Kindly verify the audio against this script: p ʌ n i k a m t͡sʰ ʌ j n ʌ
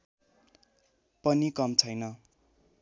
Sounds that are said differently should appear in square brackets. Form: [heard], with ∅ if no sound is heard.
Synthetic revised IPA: p ʌ n i k [ʌ] m t͡sʰ ʌ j n ʌ